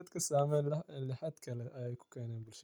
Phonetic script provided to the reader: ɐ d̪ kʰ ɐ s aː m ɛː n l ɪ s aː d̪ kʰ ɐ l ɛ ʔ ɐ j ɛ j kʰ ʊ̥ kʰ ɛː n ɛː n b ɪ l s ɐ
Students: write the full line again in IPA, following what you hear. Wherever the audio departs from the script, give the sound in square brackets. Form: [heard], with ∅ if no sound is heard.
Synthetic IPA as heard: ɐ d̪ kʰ ɐ s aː m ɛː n l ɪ [ħ] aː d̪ kʰ ɐ l ɛ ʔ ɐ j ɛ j kʰ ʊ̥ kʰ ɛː n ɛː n b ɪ l [ʃ] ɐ